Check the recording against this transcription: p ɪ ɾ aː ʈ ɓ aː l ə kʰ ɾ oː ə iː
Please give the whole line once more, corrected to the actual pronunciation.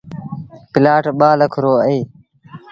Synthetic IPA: p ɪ l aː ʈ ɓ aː l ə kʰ ɾ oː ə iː